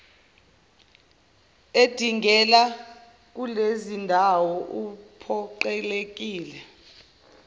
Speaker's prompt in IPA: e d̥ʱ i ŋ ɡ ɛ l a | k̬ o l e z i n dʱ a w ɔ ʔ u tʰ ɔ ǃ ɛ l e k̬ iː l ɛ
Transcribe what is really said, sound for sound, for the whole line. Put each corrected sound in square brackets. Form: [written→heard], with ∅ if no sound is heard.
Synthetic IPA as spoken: e d̥ʱ i ŋ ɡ ɛ l a | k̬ [o→u] l e z i n dʱ a w ɔ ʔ u [tʰ→pʰ] ɔ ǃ ɛ l e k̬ iː l ɛ